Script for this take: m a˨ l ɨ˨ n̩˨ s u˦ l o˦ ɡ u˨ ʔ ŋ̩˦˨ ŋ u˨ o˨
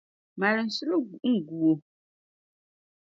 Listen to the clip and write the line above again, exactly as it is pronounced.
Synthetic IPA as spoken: m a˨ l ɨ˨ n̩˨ s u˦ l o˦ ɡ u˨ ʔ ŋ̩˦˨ ɡ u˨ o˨